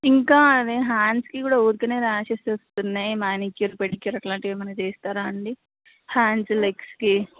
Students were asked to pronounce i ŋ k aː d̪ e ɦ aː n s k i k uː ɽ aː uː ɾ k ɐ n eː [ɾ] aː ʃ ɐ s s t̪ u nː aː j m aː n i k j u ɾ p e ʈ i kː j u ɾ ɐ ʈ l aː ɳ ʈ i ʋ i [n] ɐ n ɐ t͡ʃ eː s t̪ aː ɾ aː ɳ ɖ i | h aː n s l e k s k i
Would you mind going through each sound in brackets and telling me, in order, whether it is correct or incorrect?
correct, incorrect: m

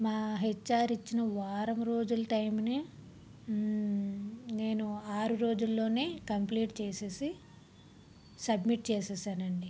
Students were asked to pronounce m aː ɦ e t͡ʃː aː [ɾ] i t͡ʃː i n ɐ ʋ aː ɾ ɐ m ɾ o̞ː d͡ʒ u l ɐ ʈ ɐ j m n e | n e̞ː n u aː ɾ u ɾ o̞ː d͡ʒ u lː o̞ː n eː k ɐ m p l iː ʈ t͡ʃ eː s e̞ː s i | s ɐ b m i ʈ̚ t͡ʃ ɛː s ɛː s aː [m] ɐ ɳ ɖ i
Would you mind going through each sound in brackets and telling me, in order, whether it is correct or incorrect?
correct, incorrect: n

